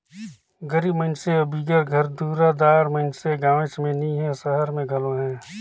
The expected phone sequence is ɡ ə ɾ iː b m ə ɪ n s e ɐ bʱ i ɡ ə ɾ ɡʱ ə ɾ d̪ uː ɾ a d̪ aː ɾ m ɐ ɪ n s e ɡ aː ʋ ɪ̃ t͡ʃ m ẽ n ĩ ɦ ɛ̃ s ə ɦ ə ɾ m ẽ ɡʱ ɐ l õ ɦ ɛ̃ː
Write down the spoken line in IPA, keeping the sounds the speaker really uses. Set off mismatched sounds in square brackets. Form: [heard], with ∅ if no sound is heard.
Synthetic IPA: ɡ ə ɾ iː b m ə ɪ n s e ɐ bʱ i ɡ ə ɾ ɡʱ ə ɾ d̪ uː ɾ a d̪ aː ɾ m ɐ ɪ n s e ɡ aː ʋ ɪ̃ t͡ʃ m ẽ n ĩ ɦ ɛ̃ s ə ɦ ə ɾ m ẽ ɡʱ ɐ l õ ɦ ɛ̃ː